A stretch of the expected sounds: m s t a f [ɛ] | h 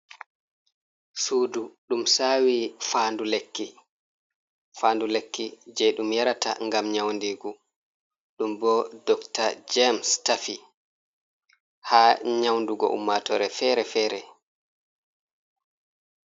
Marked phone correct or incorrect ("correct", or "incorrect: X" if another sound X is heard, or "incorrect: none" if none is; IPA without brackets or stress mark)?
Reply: incorrect: i